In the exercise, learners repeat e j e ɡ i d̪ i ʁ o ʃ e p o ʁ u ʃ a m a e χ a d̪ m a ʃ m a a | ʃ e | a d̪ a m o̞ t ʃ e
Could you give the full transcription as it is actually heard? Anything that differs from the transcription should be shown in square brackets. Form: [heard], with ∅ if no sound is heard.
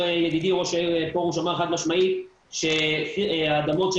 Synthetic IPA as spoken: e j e ɡ i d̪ i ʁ o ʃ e p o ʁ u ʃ a m a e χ a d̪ m a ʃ m a [i] | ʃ e | a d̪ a m o̞ t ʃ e